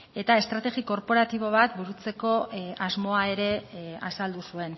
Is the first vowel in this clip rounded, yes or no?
no